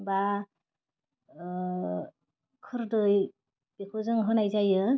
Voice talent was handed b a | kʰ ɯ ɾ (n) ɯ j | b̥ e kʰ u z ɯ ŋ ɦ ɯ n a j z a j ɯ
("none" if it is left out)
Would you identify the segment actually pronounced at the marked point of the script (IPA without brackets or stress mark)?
d